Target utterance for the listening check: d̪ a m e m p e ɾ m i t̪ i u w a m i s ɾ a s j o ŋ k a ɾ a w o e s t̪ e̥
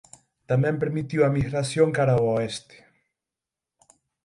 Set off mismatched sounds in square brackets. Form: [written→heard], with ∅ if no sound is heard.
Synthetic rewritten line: [d̪→t̪] a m e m p e ɾ m i t̪ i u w a m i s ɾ a s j o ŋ k a ɾ a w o e s t̪ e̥